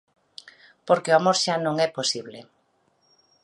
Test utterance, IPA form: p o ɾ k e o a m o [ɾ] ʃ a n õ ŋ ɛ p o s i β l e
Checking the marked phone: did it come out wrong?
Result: no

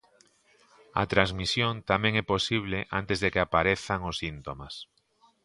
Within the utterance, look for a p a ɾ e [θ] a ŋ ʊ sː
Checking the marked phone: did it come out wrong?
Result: no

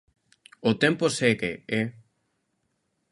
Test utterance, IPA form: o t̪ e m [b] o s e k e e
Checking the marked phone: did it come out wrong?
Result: yes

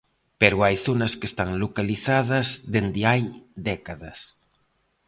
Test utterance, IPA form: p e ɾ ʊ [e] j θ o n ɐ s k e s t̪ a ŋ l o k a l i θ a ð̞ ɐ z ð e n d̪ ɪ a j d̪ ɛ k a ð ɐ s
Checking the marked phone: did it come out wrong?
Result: yes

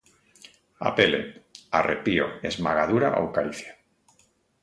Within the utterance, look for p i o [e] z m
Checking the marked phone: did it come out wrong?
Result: no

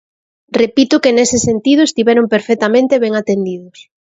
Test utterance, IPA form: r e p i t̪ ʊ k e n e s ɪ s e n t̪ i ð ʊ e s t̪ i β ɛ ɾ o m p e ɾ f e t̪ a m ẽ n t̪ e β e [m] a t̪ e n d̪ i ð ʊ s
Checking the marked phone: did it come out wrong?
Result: yes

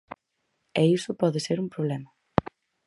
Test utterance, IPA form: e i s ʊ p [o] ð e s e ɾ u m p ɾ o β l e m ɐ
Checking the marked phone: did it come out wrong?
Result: yes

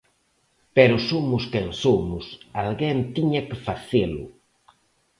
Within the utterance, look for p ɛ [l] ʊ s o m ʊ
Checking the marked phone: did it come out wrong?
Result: yes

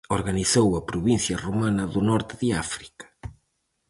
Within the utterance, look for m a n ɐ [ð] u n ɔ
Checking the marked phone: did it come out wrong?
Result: no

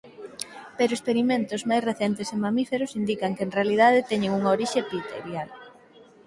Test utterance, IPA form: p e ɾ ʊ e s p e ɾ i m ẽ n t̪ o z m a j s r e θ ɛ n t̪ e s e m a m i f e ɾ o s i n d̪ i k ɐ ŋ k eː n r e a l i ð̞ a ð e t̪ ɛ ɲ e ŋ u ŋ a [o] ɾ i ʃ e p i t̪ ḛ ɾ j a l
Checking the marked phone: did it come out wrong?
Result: no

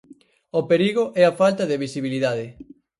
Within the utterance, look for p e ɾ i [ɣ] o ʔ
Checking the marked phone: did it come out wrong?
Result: no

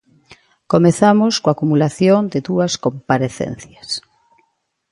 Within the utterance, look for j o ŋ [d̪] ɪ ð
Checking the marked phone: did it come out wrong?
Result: no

